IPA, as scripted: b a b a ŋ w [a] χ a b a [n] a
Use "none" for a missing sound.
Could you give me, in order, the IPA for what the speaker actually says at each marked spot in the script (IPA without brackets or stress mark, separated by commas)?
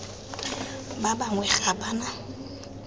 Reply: ɛ, n